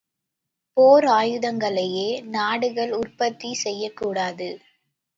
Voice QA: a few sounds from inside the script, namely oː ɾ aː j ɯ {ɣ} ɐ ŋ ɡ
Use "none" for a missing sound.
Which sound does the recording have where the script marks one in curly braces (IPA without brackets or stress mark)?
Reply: ð